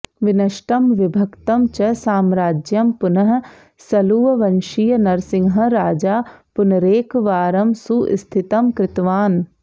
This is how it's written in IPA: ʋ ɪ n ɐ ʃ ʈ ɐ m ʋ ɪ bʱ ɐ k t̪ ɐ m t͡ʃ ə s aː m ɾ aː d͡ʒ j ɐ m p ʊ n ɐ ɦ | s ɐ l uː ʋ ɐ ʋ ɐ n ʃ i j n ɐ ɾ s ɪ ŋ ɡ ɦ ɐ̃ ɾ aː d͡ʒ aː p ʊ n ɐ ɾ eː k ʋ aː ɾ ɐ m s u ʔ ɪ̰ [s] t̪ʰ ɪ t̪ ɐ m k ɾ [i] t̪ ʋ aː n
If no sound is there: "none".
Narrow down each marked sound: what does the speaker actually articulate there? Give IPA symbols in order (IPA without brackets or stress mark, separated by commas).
s, ɪ